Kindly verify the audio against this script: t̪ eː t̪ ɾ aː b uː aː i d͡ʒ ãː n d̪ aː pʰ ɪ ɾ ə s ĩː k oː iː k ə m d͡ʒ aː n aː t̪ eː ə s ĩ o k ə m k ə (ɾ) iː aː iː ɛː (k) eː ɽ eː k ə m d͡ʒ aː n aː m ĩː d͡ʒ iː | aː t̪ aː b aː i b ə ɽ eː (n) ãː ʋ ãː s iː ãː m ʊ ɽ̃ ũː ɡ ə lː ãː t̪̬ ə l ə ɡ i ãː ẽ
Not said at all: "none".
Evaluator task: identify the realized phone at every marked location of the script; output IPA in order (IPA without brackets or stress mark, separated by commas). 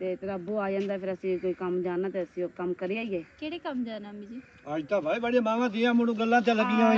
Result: ɾ, k, m